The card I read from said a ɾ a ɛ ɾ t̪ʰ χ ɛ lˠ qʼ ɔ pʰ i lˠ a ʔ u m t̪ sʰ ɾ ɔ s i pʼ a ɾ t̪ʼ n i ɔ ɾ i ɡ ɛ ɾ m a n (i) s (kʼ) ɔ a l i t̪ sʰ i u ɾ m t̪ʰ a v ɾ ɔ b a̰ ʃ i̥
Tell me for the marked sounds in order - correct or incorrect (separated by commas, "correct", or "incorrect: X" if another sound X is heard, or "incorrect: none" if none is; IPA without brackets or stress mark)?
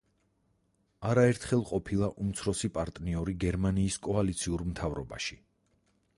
incorrect: iː, correct